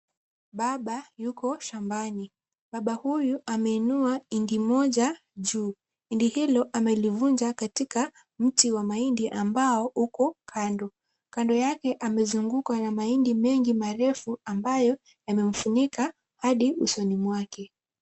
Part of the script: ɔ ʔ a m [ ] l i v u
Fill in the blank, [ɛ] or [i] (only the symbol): ɛ